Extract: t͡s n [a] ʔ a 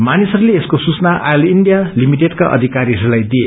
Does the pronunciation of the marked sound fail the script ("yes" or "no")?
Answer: no